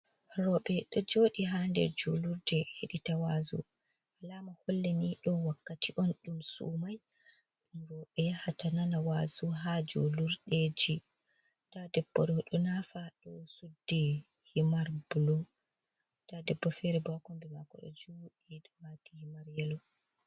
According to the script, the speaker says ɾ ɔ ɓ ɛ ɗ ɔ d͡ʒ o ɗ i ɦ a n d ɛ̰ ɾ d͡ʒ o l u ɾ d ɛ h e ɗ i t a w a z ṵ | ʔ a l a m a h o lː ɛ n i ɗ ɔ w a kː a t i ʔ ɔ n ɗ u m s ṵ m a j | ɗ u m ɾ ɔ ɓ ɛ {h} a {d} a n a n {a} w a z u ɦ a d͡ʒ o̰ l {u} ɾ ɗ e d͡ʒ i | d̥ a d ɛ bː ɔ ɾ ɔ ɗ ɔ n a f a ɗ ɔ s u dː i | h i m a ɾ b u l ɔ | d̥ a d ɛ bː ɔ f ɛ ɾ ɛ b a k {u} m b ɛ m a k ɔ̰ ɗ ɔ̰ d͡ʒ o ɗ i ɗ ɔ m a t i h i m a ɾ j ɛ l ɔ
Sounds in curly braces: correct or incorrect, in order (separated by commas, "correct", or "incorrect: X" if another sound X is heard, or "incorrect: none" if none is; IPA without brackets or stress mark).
correct, incorrect: t, correct, correct, incorrect: ɔ